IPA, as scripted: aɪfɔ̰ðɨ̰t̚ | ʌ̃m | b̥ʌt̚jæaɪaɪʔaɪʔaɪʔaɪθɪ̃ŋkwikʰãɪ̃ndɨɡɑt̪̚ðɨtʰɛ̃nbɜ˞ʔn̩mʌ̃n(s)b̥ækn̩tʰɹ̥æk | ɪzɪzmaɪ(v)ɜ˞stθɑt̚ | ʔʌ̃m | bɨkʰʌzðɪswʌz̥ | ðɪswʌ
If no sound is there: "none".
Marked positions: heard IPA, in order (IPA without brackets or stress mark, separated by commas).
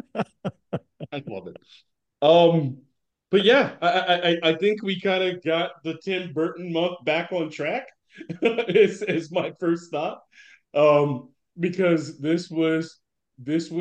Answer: θ, f